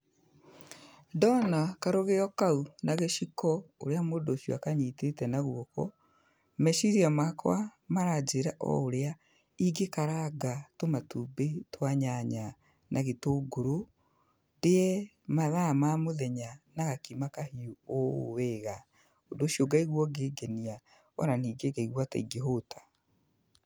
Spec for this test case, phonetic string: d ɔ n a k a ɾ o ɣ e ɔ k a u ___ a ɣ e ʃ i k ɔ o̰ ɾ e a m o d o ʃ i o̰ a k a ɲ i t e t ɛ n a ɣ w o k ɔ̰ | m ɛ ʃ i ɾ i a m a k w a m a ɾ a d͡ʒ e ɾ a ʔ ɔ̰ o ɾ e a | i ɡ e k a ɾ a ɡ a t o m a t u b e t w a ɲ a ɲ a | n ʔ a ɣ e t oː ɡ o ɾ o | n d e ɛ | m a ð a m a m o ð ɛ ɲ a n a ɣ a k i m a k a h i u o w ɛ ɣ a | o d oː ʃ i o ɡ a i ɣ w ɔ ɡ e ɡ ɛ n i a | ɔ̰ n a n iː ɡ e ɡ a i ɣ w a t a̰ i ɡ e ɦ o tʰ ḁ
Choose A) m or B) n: B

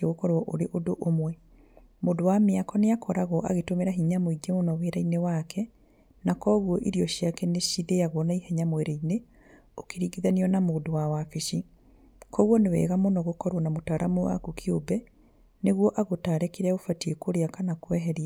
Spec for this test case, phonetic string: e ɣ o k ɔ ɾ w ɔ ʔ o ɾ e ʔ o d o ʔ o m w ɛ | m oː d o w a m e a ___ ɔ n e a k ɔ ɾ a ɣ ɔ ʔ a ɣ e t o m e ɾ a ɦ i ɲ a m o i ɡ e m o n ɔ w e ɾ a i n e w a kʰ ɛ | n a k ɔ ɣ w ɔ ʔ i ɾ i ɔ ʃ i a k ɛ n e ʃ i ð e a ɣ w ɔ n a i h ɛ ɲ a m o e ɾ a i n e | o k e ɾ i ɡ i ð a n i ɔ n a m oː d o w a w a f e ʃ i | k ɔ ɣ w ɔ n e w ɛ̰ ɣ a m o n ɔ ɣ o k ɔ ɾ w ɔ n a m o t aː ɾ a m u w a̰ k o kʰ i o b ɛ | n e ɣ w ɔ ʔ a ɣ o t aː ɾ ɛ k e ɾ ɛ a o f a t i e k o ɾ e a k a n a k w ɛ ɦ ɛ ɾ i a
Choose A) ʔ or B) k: B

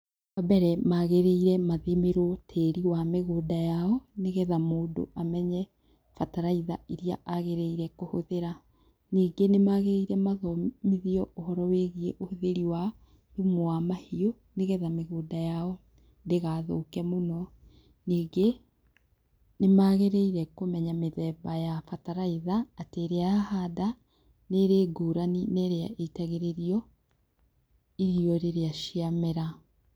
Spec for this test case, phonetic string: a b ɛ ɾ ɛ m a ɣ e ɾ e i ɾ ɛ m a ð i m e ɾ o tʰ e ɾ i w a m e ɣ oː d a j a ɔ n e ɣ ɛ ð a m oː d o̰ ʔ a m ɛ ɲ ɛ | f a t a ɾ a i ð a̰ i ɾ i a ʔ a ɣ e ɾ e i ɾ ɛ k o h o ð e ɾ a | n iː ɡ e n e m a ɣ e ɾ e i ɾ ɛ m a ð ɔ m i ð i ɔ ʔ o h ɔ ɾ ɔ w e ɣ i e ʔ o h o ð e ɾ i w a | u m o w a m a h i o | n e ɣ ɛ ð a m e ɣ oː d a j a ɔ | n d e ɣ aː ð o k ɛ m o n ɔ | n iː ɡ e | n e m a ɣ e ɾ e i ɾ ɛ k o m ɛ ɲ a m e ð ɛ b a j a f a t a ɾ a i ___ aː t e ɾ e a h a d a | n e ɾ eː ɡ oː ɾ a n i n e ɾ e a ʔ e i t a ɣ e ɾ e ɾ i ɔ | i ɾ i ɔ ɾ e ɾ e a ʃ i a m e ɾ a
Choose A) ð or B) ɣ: A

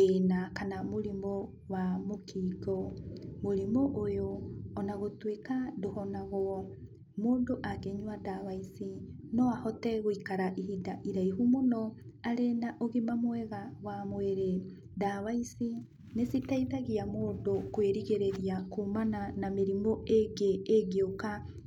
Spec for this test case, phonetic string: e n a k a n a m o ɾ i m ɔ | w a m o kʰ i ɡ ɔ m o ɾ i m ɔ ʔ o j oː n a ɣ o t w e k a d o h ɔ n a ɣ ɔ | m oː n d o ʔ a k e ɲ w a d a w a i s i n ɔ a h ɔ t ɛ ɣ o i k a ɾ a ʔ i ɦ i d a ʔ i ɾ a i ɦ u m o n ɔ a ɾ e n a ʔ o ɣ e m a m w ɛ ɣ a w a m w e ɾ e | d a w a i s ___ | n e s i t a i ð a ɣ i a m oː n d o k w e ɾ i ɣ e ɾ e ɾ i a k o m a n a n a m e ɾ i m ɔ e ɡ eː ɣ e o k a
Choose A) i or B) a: A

